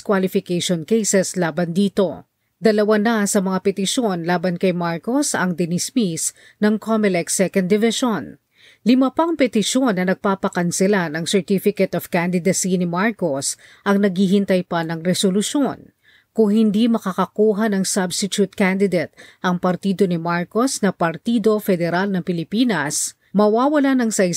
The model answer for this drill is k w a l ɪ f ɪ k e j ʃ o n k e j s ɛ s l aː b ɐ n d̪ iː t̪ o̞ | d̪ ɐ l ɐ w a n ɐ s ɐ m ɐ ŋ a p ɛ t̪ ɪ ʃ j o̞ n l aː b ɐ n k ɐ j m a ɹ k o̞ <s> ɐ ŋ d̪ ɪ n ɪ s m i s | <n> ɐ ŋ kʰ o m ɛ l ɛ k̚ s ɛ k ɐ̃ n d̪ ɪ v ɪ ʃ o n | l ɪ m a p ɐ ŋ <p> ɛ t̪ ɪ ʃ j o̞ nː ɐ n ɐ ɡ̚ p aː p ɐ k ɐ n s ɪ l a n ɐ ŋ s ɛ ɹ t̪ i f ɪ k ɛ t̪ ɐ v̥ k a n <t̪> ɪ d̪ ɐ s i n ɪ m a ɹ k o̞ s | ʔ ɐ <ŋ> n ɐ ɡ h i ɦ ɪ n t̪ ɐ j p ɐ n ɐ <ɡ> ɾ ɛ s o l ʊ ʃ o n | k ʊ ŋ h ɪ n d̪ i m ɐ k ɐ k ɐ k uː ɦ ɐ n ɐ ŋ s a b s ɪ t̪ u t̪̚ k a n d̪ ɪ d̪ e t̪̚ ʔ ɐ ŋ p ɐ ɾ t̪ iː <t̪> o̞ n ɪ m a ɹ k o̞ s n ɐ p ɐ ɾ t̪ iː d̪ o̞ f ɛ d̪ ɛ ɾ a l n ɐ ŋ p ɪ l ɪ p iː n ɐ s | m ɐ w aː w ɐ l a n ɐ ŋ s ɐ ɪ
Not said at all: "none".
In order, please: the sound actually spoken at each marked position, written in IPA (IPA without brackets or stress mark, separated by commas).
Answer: s, n, p, d̪, ŋ, ŋ, d̪